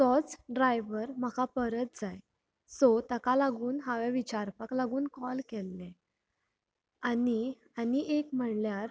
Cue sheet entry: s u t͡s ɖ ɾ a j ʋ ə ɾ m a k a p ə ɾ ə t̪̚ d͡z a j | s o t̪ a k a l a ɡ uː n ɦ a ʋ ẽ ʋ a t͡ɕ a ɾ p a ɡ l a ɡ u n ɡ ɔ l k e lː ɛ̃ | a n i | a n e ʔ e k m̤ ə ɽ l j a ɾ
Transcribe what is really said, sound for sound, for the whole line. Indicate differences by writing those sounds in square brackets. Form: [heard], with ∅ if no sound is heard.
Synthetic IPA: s [ɔ] t͡s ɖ ɾ a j ʋ ə ɾ m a k a p ə ɾ ə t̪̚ d͡z a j | s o t̪ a k a l a ɡ uː n ɦ a ʋ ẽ ʋ [i] t͡ɕ a ɾ p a [k] l a ɡ [uː] n [k] ɔ l k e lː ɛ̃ | a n i | a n [i] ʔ e k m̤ ə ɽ l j a ɾ